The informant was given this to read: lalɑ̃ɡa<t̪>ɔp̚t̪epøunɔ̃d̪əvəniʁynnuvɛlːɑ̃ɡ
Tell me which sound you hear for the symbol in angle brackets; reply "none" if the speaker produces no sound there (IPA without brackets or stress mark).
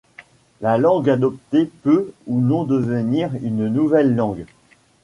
d̪